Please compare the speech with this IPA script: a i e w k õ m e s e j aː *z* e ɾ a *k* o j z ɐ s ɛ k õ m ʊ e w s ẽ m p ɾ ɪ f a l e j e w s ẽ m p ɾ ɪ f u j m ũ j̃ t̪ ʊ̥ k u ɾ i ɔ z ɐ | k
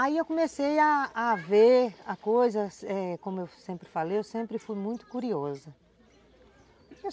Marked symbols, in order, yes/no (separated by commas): no, yes